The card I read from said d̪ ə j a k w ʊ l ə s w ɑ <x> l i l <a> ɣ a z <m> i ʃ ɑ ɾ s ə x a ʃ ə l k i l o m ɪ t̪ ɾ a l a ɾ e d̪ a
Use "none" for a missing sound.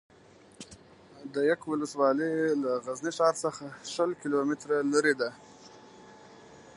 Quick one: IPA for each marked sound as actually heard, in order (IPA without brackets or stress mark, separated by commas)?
none, a, n